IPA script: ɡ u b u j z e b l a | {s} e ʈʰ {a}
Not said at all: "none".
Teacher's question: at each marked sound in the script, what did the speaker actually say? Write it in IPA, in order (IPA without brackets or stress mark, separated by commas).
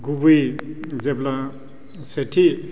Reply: s, i